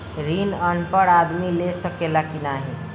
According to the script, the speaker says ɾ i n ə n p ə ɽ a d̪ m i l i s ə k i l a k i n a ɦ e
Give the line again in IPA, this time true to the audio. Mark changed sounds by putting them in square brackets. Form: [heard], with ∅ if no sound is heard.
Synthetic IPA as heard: ɾ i n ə n p ə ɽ a d̪ m i l [e] s ə k [e] l a k i n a ɦ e